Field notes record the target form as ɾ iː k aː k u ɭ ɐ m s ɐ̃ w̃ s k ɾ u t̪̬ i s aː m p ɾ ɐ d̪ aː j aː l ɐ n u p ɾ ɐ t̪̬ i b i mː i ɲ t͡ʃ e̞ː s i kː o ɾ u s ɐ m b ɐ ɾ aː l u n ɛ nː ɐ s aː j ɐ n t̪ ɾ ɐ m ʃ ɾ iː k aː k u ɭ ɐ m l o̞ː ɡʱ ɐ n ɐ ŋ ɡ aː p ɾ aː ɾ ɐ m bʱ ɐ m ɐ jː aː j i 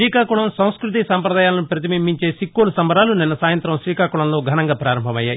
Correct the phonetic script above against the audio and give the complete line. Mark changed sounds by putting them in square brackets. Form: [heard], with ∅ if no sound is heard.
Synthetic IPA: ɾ iː k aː k u ɭ ɐ m s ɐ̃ w̃ s k ɾ u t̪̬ i s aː m p ɾ ɐ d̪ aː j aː l ɐ n u p ɾ ɐ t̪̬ i [m] i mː i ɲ t͡ʃ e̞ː s i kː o [l] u s ɐ m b ɐ ɾ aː l u n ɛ nː ɐ s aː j ɐ n t̪ ɾ ɐ m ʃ ɾ iː k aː k u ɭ ɐ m l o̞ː ɡʱ ɐ n ɐ ŋ ɡ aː p ɾ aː ɾ ɐ m bʱ ɐ m ɐ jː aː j i